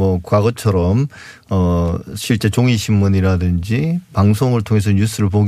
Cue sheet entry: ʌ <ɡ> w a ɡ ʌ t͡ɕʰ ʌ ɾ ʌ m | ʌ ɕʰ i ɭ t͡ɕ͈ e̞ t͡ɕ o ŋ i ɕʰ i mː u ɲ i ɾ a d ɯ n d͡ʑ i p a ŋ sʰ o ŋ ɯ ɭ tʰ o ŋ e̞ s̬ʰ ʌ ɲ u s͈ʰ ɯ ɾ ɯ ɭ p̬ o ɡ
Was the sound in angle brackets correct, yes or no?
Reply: no